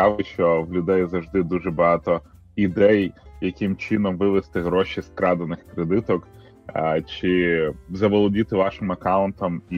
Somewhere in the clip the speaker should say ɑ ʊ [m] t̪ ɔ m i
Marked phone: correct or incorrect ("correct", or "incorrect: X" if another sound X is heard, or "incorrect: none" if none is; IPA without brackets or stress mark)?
incorrect: n